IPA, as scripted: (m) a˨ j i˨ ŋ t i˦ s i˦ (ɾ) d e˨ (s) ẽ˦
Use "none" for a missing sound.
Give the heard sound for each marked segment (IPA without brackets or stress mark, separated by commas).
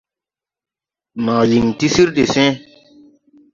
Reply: m, ɾ, s